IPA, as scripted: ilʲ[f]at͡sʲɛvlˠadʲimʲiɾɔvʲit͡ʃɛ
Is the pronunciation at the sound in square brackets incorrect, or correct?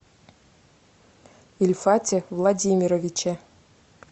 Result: correct